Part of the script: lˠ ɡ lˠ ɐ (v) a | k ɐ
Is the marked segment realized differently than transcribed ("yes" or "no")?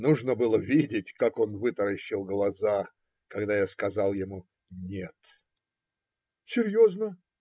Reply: yes